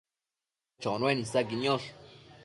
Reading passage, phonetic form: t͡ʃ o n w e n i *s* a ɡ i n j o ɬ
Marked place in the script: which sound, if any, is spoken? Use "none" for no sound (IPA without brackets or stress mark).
s